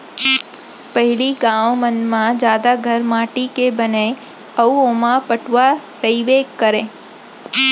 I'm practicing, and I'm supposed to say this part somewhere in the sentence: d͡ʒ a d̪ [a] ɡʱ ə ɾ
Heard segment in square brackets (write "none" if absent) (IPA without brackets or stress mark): a